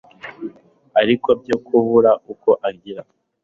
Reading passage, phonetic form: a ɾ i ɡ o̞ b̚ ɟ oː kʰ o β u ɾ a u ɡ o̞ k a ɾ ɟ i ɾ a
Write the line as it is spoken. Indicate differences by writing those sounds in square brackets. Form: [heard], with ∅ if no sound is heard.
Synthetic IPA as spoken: a ɾ i [k] o̞ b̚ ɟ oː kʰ [u] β u ɾ a u [k] o̞ [ʔ] a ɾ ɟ i ɾ a